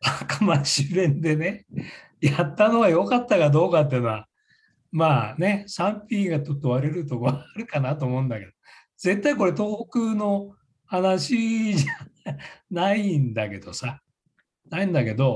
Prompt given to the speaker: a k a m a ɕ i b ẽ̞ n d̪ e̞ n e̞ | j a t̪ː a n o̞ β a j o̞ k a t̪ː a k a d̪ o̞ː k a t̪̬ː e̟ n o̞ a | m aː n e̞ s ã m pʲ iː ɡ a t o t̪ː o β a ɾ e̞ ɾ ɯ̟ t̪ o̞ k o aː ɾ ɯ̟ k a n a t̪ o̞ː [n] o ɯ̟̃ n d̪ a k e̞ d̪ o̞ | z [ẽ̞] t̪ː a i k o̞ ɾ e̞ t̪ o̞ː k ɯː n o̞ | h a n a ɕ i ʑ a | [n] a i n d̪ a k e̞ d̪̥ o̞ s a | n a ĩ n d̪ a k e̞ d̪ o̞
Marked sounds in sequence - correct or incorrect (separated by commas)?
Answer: incorrect, incorrect, correct